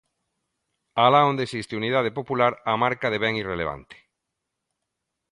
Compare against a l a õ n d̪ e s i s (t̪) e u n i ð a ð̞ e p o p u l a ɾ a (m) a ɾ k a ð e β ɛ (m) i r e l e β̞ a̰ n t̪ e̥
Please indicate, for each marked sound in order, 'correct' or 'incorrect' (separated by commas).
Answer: correct, correct, incorrect